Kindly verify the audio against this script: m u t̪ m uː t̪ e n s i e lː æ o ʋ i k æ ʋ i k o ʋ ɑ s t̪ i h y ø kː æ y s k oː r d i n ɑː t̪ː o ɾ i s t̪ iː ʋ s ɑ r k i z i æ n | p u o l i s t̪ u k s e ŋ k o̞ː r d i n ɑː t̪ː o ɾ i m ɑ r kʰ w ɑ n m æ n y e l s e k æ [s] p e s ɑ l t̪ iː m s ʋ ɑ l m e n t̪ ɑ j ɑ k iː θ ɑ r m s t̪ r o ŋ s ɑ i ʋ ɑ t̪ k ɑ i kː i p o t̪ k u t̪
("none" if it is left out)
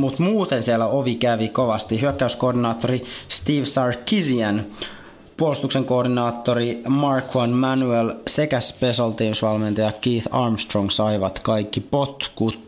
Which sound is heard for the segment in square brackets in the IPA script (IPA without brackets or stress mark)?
s